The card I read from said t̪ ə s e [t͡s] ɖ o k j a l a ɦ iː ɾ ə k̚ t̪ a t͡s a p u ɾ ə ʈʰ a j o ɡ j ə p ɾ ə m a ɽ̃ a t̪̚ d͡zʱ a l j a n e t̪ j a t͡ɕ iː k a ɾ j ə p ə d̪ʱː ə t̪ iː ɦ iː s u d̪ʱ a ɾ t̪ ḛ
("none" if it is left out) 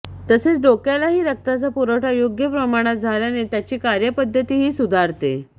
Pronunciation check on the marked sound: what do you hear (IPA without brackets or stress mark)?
t͡s